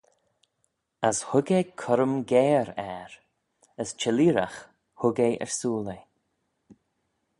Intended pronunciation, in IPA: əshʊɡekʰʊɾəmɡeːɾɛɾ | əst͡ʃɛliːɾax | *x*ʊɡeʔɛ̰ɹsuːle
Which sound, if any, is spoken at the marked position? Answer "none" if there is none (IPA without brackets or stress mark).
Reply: h